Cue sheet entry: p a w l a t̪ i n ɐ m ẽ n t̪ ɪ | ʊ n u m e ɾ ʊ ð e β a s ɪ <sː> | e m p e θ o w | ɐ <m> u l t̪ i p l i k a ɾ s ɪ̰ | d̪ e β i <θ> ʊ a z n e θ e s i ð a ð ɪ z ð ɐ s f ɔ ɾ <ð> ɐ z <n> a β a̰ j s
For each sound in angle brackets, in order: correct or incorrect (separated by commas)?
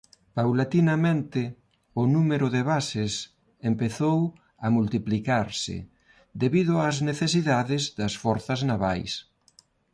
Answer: incorrect, correct, incorrect, incorrect, correct